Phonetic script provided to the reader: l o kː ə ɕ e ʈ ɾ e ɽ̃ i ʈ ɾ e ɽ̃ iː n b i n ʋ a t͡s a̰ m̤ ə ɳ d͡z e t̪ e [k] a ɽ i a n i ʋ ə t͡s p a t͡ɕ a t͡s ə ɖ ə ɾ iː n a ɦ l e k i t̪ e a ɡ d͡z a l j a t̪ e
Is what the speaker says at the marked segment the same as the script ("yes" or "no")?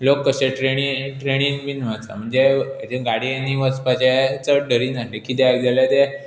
no